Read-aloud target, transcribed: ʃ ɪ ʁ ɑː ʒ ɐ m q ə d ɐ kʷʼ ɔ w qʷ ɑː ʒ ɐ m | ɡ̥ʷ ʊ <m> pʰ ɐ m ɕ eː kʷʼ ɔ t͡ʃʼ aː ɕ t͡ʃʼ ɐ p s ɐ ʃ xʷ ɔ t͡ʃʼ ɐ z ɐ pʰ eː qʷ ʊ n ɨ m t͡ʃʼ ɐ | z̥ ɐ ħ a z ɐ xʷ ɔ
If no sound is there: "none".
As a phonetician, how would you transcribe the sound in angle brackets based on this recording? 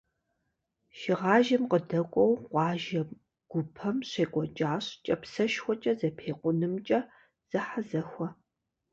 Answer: none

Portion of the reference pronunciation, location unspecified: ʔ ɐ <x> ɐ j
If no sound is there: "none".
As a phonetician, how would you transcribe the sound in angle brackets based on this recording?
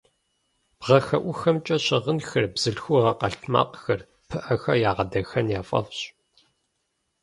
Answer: x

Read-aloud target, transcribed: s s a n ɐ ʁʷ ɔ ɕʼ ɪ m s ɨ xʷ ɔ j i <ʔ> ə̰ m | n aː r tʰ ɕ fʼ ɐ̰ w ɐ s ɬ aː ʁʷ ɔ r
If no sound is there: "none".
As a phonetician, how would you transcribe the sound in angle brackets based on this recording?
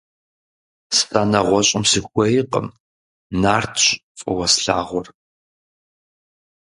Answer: q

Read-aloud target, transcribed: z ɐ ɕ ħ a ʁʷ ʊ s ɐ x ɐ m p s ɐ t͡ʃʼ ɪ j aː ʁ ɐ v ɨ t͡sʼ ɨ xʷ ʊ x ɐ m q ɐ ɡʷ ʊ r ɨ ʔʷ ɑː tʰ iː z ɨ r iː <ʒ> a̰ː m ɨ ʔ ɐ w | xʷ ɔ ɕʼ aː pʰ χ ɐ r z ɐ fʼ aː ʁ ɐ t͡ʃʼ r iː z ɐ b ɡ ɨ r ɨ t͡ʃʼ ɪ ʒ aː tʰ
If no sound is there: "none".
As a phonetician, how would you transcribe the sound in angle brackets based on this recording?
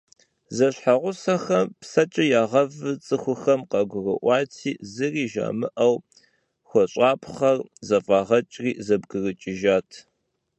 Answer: ʒ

